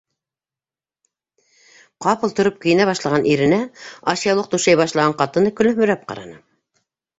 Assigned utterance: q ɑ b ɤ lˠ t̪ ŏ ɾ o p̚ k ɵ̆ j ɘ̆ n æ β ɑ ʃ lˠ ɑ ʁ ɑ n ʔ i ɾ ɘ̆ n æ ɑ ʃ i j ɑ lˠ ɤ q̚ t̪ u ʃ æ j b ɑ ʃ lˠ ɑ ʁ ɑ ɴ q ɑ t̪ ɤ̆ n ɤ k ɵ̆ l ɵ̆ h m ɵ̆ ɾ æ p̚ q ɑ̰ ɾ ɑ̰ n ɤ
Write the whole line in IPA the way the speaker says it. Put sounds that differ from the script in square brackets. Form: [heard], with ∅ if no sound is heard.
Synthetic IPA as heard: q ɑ [p] ɤ lˠ t̪ ŏ ɾ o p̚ k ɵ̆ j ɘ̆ n æ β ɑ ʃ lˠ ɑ ʁ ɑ n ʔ i ɾ ɘ̆ n æ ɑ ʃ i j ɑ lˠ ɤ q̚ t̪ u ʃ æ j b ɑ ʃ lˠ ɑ ʁ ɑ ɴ q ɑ t̪ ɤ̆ n ɤ k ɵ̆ l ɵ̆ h m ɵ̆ ɾ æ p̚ q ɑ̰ ɾ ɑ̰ n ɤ